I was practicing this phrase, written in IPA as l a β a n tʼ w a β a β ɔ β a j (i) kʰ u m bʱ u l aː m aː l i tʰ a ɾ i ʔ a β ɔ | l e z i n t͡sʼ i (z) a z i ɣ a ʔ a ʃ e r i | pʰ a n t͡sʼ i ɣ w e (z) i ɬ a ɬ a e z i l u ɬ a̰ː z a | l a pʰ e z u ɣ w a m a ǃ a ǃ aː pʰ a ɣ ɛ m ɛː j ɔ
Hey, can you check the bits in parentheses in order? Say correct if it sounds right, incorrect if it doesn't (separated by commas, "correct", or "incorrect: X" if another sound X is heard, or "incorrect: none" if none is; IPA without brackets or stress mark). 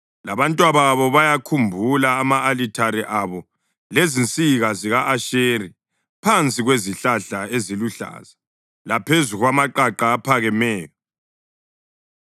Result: incorrect: a, incorrect: ɣ, correct